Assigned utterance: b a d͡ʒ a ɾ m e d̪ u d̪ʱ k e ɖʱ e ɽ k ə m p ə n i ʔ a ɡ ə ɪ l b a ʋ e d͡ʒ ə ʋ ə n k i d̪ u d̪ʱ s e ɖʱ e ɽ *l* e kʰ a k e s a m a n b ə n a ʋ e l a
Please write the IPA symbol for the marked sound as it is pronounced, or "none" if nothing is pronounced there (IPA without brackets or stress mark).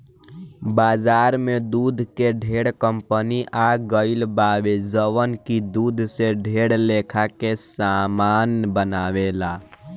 l